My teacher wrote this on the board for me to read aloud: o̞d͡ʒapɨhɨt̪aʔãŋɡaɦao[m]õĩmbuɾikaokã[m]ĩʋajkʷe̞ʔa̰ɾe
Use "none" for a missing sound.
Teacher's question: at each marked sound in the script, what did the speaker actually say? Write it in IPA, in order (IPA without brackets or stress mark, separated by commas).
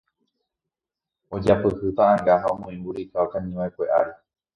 m, ɲ